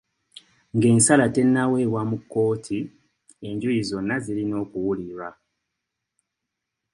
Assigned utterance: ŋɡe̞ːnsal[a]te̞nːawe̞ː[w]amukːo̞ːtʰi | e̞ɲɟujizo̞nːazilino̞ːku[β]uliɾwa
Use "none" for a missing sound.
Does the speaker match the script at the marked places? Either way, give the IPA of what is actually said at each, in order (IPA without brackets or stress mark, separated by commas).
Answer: a, w, w